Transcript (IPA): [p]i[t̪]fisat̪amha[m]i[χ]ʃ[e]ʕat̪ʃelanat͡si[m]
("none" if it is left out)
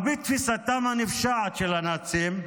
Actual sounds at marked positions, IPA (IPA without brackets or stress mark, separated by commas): b, t̪, n, f, a, m